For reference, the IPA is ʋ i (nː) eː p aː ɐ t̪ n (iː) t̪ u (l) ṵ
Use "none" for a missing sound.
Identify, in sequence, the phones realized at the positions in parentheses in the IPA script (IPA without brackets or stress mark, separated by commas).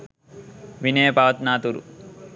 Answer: n, aː, ɾ